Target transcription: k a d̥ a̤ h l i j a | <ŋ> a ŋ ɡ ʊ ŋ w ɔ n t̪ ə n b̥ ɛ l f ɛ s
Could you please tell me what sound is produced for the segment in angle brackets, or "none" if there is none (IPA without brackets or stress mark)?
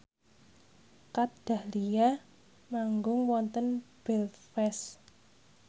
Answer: m